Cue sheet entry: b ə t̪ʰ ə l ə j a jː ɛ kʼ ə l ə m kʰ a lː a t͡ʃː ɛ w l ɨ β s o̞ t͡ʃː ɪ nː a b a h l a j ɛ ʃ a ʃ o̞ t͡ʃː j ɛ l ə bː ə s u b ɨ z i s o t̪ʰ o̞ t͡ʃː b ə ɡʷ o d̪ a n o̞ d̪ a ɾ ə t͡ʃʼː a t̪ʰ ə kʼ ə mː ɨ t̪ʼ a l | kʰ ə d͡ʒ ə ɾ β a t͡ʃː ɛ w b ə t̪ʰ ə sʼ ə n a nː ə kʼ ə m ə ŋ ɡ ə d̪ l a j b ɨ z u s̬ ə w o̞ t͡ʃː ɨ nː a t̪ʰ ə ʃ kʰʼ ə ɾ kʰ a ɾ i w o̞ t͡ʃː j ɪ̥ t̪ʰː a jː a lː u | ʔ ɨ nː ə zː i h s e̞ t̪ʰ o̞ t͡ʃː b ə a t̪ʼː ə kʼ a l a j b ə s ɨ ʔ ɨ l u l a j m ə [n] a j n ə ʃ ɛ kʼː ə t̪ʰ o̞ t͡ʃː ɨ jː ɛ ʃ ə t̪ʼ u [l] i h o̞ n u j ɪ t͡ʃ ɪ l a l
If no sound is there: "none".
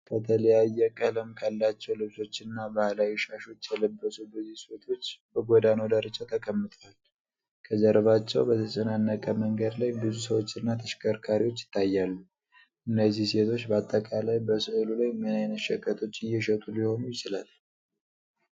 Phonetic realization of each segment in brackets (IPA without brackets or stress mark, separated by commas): n, l